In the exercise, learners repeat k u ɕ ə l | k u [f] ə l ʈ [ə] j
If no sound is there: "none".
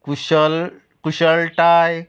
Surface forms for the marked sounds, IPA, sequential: ɕ, a

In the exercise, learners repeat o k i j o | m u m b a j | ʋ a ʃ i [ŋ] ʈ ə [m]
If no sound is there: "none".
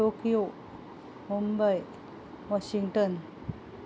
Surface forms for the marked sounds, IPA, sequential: ŋ, n

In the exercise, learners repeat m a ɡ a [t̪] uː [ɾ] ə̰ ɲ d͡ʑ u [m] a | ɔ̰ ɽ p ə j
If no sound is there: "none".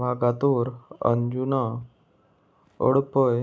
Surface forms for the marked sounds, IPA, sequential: t̪, ɾ, n

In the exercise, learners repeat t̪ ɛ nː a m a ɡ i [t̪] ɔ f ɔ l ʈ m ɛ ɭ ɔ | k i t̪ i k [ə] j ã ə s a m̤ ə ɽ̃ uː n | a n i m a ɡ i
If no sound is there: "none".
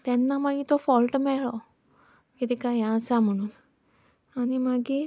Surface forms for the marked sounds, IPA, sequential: t̪, a

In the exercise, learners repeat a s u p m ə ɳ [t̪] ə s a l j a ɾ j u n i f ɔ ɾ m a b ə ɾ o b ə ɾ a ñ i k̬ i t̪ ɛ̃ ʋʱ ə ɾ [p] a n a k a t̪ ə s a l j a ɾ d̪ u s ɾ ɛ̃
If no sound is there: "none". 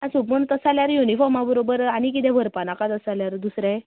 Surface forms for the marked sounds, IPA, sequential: t̪, p

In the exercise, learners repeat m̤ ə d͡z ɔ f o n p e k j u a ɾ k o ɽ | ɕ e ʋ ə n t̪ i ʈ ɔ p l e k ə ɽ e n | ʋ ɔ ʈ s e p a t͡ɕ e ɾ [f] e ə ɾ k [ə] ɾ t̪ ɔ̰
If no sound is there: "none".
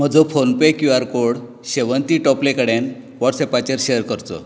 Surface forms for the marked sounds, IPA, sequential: ɕ, ə

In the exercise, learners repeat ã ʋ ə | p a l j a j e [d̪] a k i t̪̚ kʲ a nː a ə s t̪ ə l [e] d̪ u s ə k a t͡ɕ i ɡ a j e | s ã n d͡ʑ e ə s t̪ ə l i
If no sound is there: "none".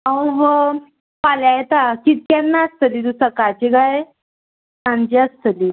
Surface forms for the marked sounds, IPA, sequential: t̪, i

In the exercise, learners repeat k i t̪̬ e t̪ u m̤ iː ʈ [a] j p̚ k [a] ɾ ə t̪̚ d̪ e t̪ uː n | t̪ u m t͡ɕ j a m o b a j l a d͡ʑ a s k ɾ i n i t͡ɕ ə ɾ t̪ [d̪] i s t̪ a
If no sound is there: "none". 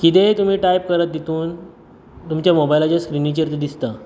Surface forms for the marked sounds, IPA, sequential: a, ə, d̪

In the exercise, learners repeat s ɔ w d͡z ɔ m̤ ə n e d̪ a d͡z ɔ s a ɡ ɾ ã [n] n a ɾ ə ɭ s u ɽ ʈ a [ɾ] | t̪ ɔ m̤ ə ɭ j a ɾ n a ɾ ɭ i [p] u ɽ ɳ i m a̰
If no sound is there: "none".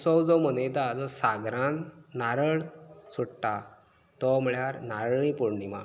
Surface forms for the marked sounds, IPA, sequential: n, none, p

